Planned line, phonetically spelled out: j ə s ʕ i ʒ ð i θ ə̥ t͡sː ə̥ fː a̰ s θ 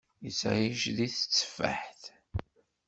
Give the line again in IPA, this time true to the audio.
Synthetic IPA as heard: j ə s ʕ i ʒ ð i θ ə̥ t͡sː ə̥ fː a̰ ħ θ